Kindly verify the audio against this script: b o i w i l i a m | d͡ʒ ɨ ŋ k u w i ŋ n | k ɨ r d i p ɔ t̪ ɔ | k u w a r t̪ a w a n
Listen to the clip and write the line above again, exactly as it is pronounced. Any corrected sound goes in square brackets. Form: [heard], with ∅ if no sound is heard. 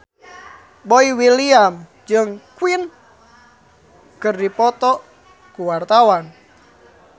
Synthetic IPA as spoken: b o i w i l i a m | d͡ʒ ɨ ŋ k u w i [∅] n | k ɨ r d i p ɔ t̪ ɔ | k u w a r t̪ a w a n